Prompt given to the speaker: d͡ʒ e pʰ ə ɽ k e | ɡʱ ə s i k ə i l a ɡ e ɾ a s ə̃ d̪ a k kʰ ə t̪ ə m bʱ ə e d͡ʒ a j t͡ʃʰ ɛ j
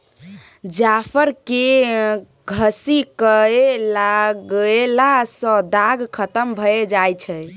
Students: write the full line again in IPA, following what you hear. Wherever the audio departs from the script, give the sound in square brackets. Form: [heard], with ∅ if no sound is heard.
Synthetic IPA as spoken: d͡ʒ [a] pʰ ə [ɾ] k e | ɡʱ ə s i k ə [e] l a ɡ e [l] a s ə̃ d̪ a [ɡ] kʰ ə t̪ ə m bʱ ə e d͡ʒ a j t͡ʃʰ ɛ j